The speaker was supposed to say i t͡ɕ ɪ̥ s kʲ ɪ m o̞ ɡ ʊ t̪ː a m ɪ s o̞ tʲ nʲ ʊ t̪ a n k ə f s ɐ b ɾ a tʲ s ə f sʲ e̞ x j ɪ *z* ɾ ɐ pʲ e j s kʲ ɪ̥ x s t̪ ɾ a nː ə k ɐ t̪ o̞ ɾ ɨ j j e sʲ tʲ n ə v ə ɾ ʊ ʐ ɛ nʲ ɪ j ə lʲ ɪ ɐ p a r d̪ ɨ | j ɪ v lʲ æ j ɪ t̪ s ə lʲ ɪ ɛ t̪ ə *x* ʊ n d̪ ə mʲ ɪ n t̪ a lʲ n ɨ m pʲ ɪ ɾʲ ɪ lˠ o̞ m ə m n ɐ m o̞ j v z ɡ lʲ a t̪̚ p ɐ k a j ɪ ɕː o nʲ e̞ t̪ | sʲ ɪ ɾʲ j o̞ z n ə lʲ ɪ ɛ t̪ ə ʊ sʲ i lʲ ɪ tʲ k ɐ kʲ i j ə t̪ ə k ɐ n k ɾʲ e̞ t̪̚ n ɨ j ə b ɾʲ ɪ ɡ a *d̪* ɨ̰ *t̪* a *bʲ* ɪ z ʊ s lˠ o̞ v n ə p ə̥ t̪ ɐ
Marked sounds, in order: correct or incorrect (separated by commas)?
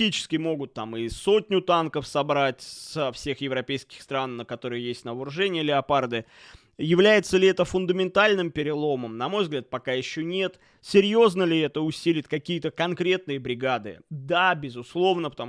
incorrect, incorrect, correct, incorrect, correct